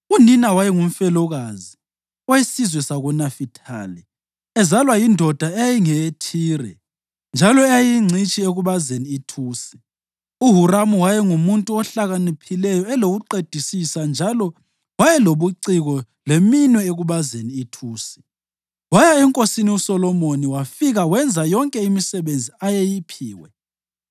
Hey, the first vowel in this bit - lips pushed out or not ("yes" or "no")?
yes